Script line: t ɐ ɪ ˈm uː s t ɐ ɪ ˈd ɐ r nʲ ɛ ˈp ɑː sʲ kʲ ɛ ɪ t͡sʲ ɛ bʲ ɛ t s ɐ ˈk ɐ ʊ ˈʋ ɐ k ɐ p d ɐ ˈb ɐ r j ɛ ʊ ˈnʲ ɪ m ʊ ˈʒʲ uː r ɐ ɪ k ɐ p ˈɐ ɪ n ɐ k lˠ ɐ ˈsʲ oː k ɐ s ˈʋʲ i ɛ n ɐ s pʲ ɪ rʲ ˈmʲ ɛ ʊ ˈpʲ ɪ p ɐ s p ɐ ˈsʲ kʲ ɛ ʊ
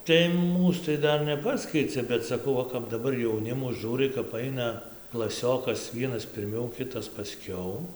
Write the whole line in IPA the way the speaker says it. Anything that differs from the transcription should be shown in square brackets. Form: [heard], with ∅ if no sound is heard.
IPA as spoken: t ɐ ɪ ˈm uː s t ɐ ɪ ˈd ɐ r nʲ ɛ ˈp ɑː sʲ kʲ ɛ ɪ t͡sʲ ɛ bʲ ɛ t s ɐ ˈk ɐ ʊ ˈʋ ɐ k ɐ p d ɐ ˈb ɐ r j ɛ ʊ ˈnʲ ɪ m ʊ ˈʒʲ uː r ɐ ɪ k ɐ p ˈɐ ɪ n ɐ k lˠ ɐ ˈsʲ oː k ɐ s ˈʋʲ i ɛ n ɐ s pʲ ɪ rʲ ˈmʲ ɛ ʊ [ˈkʲ] ɪ [t] ɐ s p ɐ ˈsʲ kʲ ɛ ʊ

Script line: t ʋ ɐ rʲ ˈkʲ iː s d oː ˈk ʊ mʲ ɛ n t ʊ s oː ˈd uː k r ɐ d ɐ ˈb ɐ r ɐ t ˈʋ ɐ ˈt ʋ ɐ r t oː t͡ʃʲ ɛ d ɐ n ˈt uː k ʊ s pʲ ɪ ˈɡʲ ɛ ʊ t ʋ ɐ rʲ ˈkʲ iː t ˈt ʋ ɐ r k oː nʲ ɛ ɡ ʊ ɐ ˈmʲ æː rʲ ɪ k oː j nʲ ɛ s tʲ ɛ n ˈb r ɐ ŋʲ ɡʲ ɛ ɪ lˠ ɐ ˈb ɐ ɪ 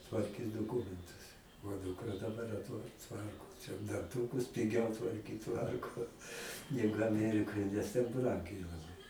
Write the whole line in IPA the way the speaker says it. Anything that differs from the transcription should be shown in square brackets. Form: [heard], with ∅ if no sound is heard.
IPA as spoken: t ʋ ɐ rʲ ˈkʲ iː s d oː ˈk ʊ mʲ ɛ n t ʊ s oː ˈd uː k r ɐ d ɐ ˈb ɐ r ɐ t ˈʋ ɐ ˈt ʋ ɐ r [k] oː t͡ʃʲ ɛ d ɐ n ˈt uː k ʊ s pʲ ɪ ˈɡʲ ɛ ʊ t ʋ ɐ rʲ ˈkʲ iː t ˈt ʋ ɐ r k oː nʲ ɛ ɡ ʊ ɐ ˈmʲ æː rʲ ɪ k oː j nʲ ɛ s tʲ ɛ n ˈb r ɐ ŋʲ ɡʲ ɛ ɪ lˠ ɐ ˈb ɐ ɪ

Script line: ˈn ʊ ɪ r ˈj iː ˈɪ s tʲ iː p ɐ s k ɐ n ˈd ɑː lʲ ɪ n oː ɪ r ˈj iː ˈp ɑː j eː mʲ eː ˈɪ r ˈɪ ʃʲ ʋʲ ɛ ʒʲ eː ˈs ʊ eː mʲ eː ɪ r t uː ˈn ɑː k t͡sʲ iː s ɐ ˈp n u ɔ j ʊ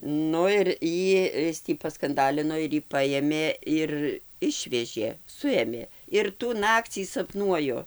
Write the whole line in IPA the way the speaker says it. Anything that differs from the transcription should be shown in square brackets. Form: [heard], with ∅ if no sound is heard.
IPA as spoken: ˈn ʊ ɪ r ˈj iː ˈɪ s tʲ iː p ɐ s k ɐ n ˈd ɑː lʲ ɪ n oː ɪ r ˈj iː ˈp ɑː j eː mʲ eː ˈɪ r ˈɪ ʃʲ ʋʲ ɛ ʒʲ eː ˈs ʊ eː mʲ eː ɪ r t uː ˈn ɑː k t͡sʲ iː s ɐ ˈp n u ɔ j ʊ

